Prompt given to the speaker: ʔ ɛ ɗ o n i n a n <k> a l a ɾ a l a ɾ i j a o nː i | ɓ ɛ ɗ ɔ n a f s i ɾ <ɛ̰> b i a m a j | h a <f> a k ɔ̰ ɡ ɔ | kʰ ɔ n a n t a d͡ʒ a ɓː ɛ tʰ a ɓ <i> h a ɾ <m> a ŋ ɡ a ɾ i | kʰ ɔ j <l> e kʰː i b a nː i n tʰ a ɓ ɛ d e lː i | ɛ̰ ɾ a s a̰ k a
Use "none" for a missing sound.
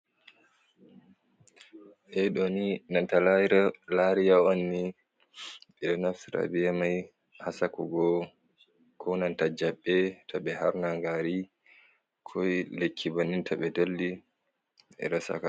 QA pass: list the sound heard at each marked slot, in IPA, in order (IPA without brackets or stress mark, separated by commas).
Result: t, a̰, s, ɛ, n, l